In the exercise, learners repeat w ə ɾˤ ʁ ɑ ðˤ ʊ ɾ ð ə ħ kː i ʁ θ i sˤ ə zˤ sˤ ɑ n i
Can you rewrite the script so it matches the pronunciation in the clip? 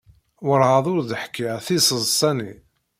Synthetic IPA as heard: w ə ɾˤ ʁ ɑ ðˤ ʊ ɾ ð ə ħ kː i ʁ θ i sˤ ə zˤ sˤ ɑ n i